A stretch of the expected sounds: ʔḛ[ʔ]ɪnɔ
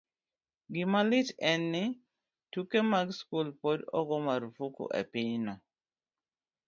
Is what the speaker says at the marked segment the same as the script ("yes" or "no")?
no